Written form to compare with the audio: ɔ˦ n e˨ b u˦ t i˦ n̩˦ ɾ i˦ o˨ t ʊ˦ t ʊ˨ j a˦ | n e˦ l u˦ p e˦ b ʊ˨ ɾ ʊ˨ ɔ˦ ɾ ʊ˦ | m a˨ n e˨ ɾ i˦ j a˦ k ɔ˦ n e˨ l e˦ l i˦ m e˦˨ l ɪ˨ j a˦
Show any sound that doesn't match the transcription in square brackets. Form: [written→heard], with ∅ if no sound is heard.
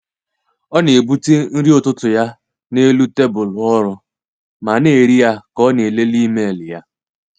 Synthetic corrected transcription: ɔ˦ n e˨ b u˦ t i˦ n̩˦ ɾ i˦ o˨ t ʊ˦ t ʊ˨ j a˦ | n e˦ l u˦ [p→t] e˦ b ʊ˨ [ɾ→l] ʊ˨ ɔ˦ ɾ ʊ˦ | m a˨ n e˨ ɾ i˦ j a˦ k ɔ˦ n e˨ l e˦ l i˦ m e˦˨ l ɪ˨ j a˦

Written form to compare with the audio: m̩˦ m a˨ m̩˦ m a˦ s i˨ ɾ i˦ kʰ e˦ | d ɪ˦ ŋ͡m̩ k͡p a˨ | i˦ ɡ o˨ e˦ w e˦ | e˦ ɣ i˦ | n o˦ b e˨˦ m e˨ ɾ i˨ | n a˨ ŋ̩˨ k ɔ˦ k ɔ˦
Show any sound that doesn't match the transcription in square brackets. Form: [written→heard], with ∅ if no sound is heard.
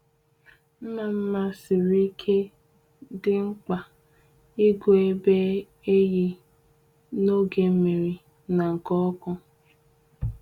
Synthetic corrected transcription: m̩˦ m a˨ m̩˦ m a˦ s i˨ ɾ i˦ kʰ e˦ | d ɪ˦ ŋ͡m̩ k͡p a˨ | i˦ ɡ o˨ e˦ [w→b] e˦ | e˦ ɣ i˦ | n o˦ [b→ɡ] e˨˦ m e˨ ɾ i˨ | n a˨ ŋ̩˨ k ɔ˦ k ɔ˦

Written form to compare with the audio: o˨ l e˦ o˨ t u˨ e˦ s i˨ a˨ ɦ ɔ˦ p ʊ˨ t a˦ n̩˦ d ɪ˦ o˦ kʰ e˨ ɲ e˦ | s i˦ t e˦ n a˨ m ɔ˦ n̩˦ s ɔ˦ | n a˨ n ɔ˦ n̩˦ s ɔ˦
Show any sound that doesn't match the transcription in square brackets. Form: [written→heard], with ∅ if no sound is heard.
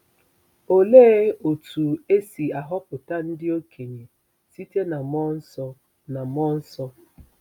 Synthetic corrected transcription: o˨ l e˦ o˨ t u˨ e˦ s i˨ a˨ ɦ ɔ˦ p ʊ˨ t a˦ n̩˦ d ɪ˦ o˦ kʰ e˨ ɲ [e˦→e˨] | s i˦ t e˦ n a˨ m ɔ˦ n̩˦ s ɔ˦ | n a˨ [n→m] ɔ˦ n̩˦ s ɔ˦

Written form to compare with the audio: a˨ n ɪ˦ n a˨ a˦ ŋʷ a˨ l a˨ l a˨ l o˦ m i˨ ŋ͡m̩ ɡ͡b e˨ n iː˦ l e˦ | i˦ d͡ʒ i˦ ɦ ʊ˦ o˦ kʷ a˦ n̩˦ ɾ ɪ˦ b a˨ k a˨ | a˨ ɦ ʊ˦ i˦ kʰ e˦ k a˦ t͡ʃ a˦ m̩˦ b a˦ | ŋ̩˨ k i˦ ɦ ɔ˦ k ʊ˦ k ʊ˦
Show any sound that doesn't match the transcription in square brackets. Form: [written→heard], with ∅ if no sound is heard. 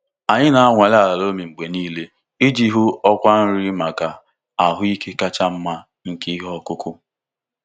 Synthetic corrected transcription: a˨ [n→ɲ] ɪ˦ n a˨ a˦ ŋʷ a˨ l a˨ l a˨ l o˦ m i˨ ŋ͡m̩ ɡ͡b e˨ n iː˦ l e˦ | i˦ d͡ʒ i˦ ɦ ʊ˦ [o˦→ɔ˦] kʷ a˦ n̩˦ ɾ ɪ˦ [b→m] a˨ k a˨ | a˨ ɦ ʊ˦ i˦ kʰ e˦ k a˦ t͡ʃ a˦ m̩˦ [b→m] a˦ | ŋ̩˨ k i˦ ɦ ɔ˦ k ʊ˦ k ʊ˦

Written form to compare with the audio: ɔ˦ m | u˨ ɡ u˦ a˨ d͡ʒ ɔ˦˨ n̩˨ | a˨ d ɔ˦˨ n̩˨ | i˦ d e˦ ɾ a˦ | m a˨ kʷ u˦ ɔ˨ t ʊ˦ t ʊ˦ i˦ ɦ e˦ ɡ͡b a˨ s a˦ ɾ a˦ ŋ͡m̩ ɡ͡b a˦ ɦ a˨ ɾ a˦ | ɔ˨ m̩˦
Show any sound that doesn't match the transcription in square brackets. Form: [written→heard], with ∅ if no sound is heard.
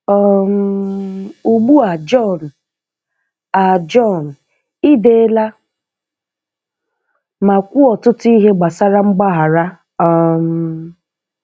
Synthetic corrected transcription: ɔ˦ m | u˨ [ɡ→ɡ͡b] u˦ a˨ d͡ʒ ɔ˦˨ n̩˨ | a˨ [d→d͡ʒ] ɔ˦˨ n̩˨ | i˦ d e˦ [ɾ→l] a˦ | m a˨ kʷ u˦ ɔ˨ t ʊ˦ t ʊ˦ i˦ ɦ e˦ ɡ͡b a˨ s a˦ ɾ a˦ ŋ͡m̩ ɡ͡b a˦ ɦ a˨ ɾ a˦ | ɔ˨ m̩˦

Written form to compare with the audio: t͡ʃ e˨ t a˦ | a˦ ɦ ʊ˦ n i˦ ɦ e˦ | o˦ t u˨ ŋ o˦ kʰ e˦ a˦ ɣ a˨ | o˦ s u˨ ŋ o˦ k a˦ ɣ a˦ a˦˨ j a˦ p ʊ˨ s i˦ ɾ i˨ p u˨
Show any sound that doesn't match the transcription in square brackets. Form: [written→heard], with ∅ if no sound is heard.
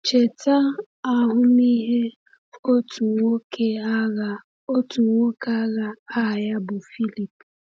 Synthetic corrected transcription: t͡ʃ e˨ t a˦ | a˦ ɦ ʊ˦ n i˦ ɦ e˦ | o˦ t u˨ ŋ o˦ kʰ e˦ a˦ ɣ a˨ | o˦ [s→t] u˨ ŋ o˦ k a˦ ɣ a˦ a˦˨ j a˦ [p→b] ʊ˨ [s→f] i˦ [ɾ→l] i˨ p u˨

